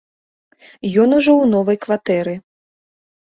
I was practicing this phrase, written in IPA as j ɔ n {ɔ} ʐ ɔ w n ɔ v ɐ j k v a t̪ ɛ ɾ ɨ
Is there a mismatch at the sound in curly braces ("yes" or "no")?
yes